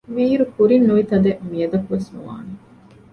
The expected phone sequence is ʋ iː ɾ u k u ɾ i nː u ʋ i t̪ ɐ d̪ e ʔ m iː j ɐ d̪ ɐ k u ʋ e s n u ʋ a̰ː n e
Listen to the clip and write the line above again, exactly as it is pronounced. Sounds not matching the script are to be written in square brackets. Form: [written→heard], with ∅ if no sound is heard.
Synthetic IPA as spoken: ʋ iː ɾ u k u ɾ i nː u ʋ i t̪ ɐ d̪ e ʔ m [iː→i] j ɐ d̪ ɐ k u ʋ e s n u ʋ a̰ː n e